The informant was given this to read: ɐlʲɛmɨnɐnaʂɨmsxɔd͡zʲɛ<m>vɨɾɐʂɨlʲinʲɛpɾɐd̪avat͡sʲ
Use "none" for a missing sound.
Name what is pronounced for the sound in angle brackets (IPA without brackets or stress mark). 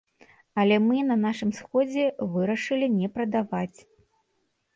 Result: none